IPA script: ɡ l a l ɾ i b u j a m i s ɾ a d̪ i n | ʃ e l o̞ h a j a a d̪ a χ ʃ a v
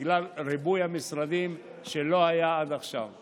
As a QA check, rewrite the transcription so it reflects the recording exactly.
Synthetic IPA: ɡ l a l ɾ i b u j a m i s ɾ a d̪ i m | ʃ e l o̞ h a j a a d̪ a χ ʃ a v